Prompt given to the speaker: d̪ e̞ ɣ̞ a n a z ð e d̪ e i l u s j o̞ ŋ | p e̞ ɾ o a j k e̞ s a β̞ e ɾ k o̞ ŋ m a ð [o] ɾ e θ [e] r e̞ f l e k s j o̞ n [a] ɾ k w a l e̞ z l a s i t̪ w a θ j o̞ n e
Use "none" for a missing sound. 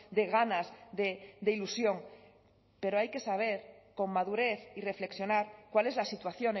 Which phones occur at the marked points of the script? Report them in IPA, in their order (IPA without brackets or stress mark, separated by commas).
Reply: u, i, a